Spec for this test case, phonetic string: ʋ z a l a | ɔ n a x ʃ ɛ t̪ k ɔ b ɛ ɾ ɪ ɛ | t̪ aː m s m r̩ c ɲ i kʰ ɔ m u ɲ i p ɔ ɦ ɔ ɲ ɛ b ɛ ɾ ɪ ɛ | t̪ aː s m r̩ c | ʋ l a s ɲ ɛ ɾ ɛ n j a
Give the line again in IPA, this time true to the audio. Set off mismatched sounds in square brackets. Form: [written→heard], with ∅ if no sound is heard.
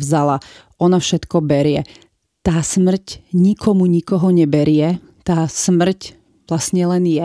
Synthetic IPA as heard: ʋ z a l a | ɔ n a [x→f] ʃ ɛ t̪ k ɔ b ɛ ɾ ɪ ɛ | t̪ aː [m→∅] s m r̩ c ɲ i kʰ ɔ m u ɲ i [p→k] ɔ ɦ ɔ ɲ ɛ b ɛ ɾ ɪ ɛ | t̪ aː s m r̩ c | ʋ l a s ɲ ɛ [ɾ→l] ɛ n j [a→ɛ]